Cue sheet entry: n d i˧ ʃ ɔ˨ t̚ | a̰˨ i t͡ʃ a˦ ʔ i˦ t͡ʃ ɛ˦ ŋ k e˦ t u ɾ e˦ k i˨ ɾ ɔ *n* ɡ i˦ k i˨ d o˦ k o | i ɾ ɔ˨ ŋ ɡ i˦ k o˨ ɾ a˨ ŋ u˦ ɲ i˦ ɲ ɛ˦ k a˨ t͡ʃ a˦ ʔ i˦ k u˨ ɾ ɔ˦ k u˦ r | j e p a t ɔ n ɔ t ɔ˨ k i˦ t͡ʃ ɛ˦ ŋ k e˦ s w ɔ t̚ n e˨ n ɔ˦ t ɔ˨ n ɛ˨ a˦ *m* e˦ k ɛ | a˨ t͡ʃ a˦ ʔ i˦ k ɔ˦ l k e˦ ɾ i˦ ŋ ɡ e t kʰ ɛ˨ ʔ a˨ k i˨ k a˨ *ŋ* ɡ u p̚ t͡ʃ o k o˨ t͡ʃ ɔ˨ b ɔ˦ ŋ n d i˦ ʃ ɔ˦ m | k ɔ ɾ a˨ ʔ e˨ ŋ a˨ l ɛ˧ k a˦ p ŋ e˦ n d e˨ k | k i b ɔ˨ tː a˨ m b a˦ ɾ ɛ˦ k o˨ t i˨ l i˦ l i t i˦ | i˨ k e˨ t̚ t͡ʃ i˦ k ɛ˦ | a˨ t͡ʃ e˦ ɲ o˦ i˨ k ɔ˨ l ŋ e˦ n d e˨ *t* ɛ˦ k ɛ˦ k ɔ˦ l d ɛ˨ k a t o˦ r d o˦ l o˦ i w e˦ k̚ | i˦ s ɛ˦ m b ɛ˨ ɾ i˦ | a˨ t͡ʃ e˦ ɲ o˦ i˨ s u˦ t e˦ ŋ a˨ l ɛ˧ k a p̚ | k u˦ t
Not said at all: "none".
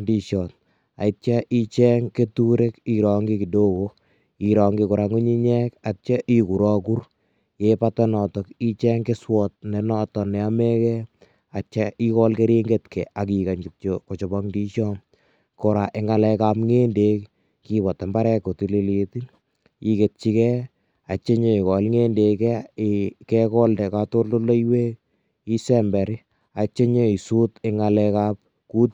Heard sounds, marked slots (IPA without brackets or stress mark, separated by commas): ŋ, m, ɲ, k